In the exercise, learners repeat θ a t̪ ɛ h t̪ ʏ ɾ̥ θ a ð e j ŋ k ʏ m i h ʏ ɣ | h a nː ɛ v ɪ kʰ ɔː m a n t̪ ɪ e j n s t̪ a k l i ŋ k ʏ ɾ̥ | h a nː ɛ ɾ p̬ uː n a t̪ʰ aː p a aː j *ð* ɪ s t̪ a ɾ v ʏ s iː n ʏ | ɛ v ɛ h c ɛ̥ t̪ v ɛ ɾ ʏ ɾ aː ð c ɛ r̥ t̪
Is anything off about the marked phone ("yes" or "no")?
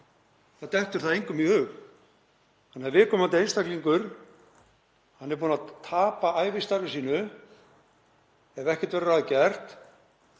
yes